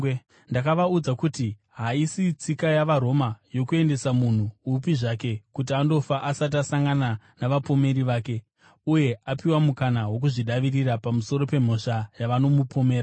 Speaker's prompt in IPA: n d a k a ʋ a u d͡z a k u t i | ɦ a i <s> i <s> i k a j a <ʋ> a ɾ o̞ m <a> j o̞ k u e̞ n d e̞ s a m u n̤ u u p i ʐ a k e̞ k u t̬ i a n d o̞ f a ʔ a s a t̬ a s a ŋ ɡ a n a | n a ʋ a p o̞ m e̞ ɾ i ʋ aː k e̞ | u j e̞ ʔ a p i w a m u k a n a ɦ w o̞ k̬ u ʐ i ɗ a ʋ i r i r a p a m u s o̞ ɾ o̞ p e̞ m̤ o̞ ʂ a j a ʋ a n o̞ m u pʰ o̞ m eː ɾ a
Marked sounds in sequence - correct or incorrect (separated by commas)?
correct, incorrect, correct, correct